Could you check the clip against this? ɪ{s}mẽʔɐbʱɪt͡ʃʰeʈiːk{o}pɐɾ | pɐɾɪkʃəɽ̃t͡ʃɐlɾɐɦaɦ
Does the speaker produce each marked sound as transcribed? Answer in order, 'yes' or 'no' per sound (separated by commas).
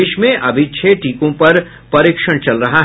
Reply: no, no